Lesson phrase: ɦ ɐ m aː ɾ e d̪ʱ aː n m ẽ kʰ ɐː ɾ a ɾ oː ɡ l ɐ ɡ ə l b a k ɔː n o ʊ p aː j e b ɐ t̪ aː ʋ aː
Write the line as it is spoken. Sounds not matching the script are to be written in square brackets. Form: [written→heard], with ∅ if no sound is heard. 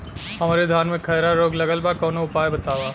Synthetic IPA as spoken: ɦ ɐ m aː ɾ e d̪ʱ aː n m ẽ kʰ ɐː ɾ a ɾ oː ɡ l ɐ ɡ ə l b a k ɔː n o ʊ p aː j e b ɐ t̪ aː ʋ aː